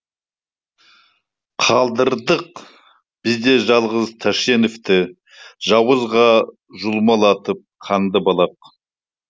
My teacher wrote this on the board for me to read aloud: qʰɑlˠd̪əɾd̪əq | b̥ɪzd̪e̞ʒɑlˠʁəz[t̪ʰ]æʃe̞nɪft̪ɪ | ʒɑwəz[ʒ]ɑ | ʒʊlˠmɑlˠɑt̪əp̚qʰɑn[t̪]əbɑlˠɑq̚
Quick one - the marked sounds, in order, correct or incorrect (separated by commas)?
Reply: correct, incorrect, incorrect